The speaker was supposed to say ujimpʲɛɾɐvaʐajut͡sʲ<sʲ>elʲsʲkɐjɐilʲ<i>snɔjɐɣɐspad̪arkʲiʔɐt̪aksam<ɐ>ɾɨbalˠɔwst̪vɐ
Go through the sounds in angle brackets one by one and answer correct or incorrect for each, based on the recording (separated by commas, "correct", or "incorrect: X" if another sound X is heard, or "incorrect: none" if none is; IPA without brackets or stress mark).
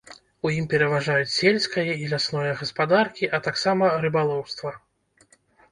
correct, incorrect: a, correct